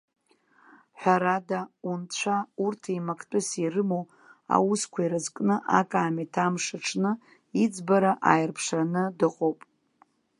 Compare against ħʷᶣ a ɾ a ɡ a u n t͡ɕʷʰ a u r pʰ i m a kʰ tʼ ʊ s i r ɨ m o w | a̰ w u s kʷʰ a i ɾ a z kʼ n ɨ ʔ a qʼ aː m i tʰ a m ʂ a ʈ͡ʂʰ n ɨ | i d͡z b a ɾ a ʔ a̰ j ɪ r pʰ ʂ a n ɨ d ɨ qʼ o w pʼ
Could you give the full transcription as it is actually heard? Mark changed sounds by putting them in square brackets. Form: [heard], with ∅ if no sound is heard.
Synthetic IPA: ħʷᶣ a ɾ a [d] a u n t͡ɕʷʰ a u r [tʰ] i m a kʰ tʼ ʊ s i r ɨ m o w | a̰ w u s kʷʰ a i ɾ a z kʼ n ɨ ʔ a [kʼ] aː m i tʰ a m ʂ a ʈ͡ʂʰ n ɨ | i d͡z b a ɾ a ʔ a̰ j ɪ r pʰ ʂ a n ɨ d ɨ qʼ o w pʼ